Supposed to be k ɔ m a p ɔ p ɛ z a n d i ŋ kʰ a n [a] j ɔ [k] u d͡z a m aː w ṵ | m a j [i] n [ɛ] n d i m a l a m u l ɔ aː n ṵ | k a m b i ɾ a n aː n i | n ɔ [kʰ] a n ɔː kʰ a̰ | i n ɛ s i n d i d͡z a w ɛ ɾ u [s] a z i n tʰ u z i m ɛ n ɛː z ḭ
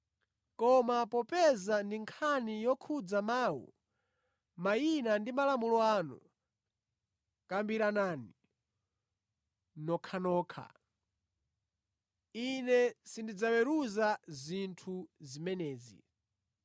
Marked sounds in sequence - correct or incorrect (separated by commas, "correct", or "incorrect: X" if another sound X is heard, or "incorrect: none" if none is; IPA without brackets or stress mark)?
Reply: incorrect: i, incorrect: kʰ, correct, incorrect: a, correct, incorrect: z